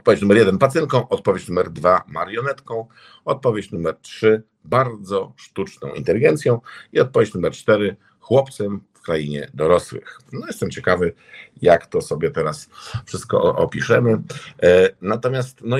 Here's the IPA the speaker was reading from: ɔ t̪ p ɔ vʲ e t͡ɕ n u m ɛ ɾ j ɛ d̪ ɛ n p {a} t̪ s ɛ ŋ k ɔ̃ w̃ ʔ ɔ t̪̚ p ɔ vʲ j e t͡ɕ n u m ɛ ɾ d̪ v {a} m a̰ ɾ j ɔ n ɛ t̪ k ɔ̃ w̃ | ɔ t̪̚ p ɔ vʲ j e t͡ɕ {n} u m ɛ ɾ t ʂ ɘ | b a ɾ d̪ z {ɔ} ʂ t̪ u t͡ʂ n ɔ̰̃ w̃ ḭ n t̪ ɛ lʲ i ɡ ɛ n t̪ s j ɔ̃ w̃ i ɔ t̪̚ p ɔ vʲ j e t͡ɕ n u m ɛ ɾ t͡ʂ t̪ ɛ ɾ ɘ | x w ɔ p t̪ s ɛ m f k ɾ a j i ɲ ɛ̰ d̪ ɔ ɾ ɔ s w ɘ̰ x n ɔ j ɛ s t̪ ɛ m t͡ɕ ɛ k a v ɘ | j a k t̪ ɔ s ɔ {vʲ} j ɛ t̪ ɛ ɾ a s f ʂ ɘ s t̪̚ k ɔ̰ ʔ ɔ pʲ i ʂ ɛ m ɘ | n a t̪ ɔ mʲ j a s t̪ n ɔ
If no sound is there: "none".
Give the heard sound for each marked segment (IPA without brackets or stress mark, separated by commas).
a, a, n, ɔ, bʲ